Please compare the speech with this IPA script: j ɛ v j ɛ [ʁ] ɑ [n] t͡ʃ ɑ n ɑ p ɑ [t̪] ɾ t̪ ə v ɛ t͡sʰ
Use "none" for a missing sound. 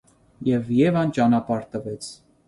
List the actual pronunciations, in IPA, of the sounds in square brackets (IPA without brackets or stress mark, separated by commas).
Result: v, n, none